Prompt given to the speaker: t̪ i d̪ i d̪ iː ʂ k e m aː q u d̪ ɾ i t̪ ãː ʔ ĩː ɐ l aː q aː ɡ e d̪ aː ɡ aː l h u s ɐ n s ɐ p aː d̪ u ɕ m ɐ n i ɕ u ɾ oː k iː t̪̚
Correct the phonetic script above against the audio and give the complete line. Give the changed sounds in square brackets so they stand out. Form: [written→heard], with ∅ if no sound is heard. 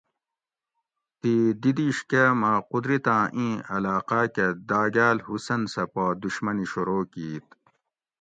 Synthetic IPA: t̪ i d̪ i d̪ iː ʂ k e m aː q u d̪ ɾ i t̪ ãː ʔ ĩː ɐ l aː q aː [ɡ→k] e d̪ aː ɡ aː l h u s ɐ n s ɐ p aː d̪ u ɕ m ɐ n i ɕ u ɾ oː k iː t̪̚